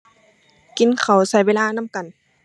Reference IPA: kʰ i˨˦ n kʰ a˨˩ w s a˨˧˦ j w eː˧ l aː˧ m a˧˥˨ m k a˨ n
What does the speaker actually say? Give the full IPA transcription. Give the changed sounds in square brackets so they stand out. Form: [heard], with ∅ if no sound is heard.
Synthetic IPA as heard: [k] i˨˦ n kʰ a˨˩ w s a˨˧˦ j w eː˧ l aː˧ [n] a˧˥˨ m k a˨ n